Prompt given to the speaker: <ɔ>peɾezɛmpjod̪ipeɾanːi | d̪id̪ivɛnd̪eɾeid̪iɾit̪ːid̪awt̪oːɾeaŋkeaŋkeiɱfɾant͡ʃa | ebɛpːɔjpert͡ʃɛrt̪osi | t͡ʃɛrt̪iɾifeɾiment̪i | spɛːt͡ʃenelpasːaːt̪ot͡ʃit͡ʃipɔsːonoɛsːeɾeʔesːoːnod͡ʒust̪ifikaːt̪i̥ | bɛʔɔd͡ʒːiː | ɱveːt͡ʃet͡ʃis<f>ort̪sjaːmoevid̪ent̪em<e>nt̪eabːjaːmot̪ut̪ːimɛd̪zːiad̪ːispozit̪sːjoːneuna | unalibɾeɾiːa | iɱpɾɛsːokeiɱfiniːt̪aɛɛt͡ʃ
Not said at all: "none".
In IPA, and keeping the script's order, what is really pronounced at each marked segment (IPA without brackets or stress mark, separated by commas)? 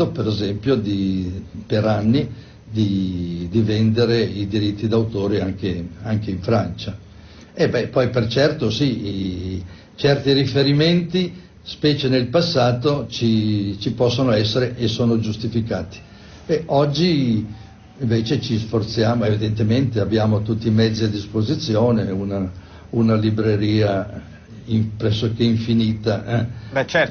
o, f, e